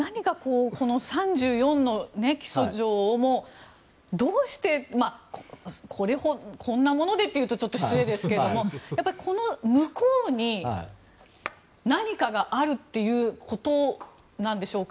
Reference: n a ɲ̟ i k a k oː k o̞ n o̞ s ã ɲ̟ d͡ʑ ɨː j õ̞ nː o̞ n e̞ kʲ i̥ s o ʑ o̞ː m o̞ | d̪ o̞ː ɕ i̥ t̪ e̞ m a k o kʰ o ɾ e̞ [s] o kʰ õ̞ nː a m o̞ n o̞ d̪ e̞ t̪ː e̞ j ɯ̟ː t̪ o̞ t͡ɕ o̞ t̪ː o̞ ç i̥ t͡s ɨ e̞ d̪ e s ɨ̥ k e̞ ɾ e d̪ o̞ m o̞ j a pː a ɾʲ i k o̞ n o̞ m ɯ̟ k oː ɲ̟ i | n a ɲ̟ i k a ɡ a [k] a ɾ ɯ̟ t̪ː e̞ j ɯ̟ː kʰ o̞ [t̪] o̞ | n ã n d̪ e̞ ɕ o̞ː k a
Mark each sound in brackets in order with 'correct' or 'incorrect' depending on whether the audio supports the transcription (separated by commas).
incorrect, incorrect, correct